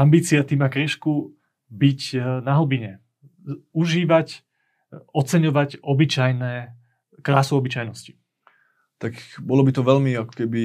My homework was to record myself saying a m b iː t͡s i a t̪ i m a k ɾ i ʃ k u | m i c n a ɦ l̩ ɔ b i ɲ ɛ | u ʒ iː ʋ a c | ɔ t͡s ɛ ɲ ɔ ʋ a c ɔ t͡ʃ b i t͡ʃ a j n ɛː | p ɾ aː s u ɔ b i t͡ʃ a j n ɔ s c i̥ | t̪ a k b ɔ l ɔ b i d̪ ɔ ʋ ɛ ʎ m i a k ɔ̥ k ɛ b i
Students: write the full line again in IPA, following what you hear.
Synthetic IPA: a m b iː t͡s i a t̪ i m a k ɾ i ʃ k u | b i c n a ɦ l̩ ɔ b i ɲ ɛ | u ʒ iː ʋ a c | ɔ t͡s ɛ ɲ ɔ ʋ a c ɔ b i t͡ʃ a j n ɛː | k ɾ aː s u ɔ b i t͡ʃ a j n ɔ s c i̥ | t̪ a k b ɔ l ɔ b i t̪ ɔ ʋ ɛ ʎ m i a k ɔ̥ k ɛ b i